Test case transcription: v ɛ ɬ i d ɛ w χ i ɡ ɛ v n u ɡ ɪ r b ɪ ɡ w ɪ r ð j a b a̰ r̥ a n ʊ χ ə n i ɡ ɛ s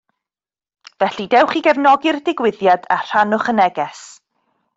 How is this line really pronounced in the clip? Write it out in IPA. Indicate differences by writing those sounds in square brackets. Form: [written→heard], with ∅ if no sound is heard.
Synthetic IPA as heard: v ɛ ɬ i d ɛ w χ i ɡ ɛ v n [u→ɔ] ɡ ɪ r [b→d] ɪ ɡ w ɪ [r→∅] ð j a [b→d] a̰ r̥ a n ʊ χ ə n [i→ɛ] ɡ ɛ s